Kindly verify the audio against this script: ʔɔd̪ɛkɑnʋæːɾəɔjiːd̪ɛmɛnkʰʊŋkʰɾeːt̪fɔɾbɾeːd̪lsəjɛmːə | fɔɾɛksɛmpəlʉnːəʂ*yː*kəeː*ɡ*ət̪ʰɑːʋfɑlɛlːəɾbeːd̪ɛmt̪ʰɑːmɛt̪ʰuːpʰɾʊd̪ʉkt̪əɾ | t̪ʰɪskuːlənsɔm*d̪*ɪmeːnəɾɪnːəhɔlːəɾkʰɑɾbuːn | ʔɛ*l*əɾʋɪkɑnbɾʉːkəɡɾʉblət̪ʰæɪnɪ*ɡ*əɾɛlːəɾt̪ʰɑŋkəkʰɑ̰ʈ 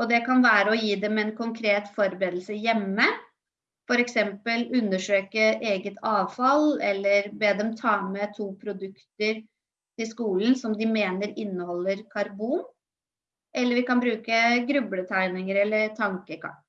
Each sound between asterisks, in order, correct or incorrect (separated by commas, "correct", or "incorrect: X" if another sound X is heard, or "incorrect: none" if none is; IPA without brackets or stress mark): incorrect: øː, correct, correct, incorrect: lː, incorrect: ŋ